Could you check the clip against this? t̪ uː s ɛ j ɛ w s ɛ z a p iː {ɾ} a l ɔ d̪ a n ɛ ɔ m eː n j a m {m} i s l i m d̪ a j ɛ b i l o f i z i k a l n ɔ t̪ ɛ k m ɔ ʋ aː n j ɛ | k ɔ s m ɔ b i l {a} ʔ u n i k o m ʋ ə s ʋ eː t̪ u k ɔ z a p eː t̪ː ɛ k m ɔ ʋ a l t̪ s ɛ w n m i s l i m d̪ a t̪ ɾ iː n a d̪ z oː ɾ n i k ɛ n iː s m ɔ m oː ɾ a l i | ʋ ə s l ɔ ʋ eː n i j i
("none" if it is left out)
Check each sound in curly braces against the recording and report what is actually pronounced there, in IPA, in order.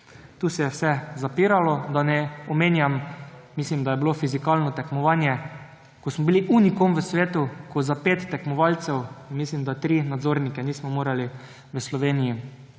ɾ, m, i

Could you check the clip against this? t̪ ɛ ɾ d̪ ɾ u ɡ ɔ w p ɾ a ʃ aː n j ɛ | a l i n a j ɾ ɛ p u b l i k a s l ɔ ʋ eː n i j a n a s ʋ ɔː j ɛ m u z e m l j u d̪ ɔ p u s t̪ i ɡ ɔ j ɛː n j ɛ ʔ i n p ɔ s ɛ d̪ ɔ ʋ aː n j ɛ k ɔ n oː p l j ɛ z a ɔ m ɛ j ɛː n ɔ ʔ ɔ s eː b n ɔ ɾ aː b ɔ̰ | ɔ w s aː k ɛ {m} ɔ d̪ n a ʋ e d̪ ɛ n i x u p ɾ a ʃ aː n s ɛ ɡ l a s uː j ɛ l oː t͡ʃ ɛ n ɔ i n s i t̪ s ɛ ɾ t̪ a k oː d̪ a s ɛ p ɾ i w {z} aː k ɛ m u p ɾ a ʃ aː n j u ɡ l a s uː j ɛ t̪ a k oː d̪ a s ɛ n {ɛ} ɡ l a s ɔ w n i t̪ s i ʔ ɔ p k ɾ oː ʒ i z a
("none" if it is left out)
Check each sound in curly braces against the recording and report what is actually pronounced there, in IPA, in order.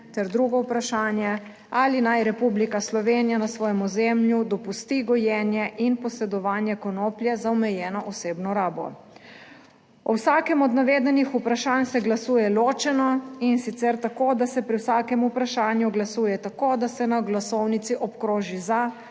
m, s, a

